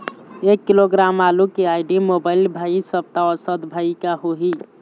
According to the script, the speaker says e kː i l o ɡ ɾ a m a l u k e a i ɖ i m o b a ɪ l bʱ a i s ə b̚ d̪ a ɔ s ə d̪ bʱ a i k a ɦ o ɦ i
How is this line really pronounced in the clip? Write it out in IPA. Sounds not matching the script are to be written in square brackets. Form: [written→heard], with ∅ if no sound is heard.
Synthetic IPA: e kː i l o ɡ ɾ a m a l u k e a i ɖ i m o b a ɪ l bʱ a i s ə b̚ [d̪→t̪] a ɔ s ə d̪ bʱ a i k a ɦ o ɦ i